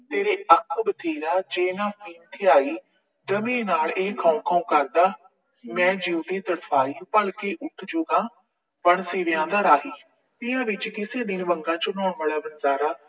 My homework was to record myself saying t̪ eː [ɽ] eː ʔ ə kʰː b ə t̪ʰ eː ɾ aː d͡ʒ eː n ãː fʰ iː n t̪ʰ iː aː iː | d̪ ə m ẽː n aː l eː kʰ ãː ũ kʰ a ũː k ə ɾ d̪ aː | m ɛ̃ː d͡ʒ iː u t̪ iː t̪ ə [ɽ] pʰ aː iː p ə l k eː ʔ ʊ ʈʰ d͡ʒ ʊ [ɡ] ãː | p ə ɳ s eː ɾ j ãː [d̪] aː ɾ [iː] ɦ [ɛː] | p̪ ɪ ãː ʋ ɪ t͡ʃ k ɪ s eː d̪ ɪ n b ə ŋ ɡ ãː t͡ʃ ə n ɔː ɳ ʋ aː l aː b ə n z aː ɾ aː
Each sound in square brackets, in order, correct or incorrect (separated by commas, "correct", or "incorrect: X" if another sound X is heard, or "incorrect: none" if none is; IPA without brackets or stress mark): incorrect: ɾ, correct, correct, correct, incorrect: aː, incorrect: iː